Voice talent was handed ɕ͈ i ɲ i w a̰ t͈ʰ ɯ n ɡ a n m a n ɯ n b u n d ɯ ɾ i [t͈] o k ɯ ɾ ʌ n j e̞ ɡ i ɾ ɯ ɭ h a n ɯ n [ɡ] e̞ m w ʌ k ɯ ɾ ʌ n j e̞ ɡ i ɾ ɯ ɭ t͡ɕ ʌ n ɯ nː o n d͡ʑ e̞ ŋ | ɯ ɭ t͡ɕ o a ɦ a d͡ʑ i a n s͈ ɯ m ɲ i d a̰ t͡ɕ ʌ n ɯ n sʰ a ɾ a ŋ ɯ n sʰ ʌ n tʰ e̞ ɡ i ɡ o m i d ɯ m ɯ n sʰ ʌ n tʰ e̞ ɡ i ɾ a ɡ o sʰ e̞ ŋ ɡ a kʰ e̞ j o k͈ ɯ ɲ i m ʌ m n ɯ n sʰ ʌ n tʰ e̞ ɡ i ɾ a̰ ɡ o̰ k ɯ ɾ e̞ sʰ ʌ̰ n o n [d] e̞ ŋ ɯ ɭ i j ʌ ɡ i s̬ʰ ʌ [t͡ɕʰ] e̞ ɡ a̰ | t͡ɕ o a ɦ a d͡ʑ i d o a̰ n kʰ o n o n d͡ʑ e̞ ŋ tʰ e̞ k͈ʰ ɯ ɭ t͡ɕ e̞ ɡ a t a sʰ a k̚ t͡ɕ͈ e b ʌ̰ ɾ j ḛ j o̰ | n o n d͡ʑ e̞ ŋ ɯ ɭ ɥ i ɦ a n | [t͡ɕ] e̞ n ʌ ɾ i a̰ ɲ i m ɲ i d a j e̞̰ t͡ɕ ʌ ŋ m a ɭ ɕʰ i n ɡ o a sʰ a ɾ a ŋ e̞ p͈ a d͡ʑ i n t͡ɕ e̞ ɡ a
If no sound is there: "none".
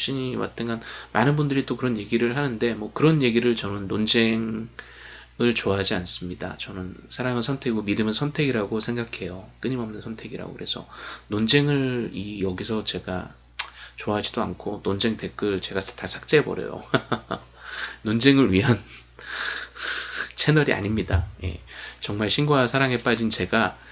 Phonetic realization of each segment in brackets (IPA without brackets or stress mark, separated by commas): t͈, d, d͡ʑ, t͡ɕ, t͡ɕʰ